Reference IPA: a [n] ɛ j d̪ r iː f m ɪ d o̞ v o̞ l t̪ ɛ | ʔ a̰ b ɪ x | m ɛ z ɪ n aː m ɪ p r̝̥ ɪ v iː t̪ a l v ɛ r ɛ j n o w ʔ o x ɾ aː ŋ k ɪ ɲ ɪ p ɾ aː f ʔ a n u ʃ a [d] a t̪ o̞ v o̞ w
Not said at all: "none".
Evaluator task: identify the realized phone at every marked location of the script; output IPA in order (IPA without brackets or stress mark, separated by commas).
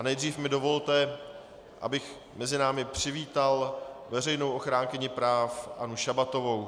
n, b